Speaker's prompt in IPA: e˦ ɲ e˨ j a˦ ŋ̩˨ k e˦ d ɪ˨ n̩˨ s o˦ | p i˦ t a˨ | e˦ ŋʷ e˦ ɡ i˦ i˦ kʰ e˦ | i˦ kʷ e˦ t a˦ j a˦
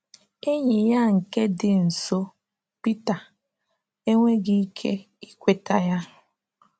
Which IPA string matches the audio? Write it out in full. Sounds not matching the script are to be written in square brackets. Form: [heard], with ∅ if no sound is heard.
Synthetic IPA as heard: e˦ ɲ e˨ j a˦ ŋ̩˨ k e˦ d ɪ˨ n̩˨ s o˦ | p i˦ t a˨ | e˦ ŋʷ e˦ ɡ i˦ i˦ kʰ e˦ | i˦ kʷ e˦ t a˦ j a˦